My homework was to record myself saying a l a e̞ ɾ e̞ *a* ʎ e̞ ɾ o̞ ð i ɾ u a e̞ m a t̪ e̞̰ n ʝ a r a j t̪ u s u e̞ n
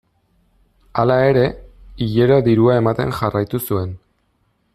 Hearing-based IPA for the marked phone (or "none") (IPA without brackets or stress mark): i